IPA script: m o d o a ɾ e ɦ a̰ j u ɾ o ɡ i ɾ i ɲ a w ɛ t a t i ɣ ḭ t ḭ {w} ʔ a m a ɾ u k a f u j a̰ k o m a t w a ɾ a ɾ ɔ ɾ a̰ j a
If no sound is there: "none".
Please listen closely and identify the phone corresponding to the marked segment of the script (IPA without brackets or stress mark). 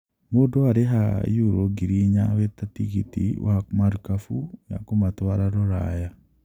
w